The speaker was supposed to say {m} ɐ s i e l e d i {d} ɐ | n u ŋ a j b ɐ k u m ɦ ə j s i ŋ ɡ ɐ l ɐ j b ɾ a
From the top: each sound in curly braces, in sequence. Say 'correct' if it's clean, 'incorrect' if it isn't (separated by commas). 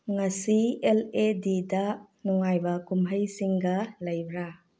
incorrect, correct